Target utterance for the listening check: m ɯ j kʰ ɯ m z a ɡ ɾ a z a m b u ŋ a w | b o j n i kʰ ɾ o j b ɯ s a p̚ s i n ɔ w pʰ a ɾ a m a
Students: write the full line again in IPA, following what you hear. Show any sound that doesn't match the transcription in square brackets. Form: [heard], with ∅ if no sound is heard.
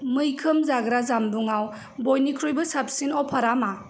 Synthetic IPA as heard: m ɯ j kʰ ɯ m z a ɡ ɾ a z a m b u ŋ a w | b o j n i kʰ ɾ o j b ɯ s a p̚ s i n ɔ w pʰ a ɾ a m a